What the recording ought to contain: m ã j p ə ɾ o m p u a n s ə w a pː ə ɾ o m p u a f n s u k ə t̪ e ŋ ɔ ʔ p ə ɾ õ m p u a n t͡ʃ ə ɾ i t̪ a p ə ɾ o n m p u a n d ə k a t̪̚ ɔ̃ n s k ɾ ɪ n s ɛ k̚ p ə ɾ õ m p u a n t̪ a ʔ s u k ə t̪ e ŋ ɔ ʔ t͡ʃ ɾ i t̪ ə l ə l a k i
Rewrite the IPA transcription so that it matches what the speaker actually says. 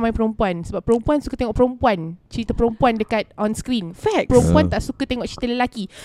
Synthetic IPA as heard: m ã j p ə ɾ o m p u a n s ə b a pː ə ɾ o m p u a n s u k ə t̪ e ŋ ɔ ʔ p ə ɾ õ m p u a n t͡ʃ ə ɾ i t̪ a p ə ɾ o m p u a n d ə k a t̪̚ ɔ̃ n s k ɾ i n f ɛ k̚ p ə ɾ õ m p u a n t̪ a ʔ s u k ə t̪ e ŋ ɔ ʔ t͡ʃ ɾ i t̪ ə l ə l a k i